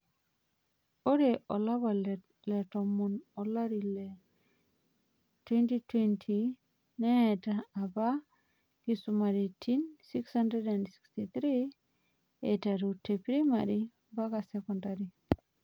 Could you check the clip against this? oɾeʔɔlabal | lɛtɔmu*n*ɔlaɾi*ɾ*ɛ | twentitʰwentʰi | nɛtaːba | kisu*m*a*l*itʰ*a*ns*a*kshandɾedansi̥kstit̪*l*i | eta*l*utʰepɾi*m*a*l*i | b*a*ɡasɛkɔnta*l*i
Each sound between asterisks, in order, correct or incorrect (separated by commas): correct, incorrect, correct, incorrect, incorrect, incorrect, incorrect, incorrect, correct, incorrect, correct, incorrect